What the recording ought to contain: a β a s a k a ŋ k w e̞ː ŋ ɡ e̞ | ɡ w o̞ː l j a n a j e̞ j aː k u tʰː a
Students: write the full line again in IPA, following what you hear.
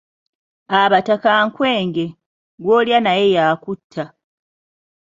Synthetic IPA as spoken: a β a t a k a ŋ k w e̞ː ŋ ɡ e̞ | ɡ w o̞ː l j a n a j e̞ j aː k u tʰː a